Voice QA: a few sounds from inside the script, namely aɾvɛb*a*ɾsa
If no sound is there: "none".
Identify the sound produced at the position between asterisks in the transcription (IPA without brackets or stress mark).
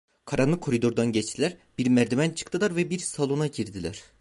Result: i